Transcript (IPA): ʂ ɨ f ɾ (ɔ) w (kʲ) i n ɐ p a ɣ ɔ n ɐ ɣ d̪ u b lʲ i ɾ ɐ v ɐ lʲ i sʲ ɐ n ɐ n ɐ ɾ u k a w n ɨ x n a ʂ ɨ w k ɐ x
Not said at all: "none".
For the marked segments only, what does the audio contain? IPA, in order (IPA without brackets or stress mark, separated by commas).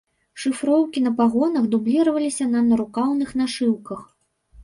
ɔ, kʲ